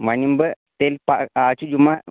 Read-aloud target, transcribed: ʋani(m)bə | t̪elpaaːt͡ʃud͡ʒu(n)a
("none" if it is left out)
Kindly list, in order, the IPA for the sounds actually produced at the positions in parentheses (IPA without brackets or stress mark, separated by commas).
m, m